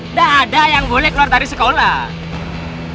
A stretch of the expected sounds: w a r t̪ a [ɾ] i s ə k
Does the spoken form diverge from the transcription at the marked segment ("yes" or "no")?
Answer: no